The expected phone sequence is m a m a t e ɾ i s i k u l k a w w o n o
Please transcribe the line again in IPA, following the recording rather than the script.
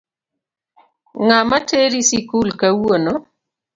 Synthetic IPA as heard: ŋ a m a t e ɾ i s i k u l k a w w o n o

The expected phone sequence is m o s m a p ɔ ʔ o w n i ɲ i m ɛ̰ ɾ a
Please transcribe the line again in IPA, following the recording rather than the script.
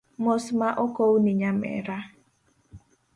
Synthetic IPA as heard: m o s m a ʔ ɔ k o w n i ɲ a m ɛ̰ ɾ a

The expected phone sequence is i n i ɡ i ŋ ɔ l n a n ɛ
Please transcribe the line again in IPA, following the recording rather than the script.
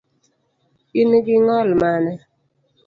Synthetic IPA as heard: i n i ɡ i ŋ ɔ l m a n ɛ

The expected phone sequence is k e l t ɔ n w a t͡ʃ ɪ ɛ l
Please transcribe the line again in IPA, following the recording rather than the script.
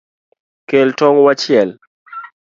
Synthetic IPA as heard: k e l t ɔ ŋ w a t͡ʃ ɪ ɛ l

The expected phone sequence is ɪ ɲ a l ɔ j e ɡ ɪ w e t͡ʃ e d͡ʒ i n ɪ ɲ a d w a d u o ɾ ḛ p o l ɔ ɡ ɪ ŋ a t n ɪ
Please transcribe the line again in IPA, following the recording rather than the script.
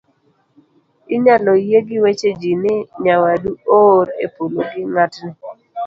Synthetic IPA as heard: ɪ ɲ a l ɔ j e ɡ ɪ w e t͡ʃ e d͡ʒ i n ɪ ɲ a w a d u o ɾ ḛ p o l o ɡ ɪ ŋ a t n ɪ

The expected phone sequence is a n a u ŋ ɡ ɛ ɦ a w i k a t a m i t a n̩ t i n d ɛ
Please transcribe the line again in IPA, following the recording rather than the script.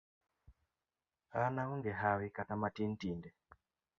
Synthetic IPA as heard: a n a u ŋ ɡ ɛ ɦ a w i k a t a m a t i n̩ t i n d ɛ

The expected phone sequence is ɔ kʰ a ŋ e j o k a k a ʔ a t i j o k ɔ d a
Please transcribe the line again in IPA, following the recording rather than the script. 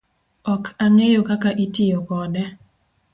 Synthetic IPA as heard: ɔ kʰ a ŋ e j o k a k a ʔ i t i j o k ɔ d ɛ

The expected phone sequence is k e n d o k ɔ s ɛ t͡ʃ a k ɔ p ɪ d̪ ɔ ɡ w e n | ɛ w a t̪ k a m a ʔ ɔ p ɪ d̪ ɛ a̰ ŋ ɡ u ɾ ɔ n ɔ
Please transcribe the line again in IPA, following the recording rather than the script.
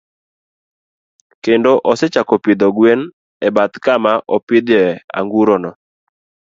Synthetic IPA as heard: k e n d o ʔ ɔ s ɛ t͡ʃ a k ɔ p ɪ d̪ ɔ ɡ w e n | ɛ b a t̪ k a m a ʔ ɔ p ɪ d̪ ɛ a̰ ŋ ɡ u ɾ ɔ n ɔ

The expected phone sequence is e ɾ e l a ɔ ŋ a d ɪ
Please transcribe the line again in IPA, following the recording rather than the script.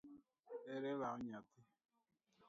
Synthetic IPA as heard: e ɾ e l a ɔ ɲ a t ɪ

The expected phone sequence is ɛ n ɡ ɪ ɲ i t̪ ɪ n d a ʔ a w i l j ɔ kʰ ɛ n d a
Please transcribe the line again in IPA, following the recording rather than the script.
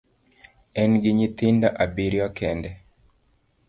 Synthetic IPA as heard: ɛ n ɡ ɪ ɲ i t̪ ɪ n d a ʔ a b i ɾ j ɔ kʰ ɛ n d ɛ

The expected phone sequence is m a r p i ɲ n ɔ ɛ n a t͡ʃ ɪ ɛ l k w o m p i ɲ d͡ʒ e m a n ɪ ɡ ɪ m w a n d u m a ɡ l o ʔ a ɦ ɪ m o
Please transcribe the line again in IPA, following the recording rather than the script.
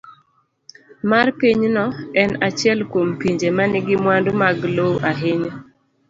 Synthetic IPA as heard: m a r p i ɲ n ɔ ɛ n a t͡ʃ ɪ ɛ l k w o m p i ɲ d͡ʒ e m a n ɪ ɡ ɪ m w a n d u m a ɡ l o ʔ a ɦ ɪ ɲ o

